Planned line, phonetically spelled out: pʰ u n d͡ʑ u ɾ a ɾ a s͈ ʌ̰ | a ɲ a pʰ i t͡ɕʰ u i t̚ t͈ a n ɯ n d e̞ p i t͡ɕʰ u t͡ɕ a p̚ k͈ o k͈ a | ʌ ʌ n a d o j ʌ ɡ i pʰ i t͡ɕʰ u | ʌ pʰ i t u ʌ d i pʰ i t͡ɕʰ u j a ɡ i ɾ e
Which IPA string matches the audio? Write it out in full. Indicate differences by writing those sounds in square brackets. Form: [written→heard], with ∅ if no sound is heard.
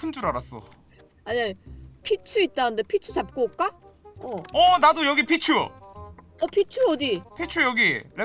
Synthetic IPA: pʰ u n d͡ʑ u ɾ a ɾ a s͈ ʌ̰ | a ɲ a pʰ i t͡ɕʰ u i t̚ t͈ a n ɯ n d e̞ [p→pʰ] i t͡ɕʰ u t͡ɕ a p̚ k͈ o k͈ a | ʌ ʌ n a d o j ʌ ɡ i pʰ i t͡ɕʰ u | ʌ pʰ i [t→t͡ɕʰ] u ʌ d i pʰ i t͡ɕʰ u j [a→ʌ] ɡ i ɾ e